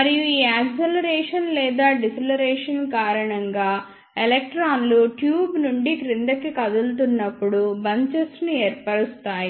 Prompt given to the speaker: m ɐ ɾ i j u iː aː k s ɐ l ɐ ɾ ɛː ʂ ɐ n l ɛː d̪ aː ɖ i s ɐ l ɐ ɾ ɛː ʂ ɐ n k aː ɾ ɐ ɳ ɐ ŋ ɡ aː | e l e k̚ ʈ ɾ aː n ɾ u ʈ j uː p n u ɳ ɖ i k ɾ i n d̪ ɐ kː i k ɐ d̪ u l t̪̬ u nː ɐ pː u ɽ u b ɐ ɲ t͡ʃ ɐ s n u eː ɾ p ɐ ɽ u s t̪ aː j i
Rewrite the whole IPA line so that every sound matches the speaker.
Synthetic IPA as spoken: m ɐ ɾ i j u iː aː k s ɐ l ɐ ɾ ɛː ʂ ɐ n l ɛː d̪ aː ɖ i s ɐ l ɐ ɾ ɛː ʂ ɐ n k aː ɾ ɐ ɳ ɐ ŋ ɡ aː | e l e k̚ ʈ ɾ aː n l u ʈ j uː b n u ɳ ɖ i k ɾ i n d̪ ɐ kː i k ɐ d̪ u l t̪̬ u nː ɐ pː u ɽ u b ɐ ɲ t͡ʃ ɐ s n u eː ɾ p ɐ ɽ u s t̪ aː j i